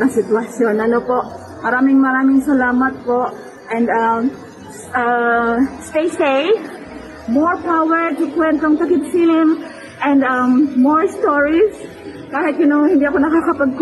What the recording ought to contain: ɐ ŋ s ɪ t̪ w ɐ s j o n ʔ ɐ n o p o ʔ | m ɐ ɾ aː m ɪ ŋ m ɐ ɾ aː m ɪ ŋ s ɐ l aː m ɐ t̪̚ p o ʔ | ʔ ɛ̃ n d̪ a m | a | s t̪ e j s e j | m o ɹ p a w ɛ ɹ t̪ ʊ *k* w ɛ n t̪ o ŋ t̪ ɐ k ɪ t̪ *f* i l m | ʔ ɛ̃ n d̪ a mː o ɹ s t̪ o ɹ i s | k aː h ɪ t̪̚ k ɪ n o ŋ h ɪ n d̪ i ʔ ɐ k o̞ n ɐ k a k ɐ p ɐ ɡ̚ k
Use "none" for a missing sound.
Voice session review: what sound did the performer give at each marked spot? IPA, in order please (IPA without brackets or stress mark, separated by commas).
k, f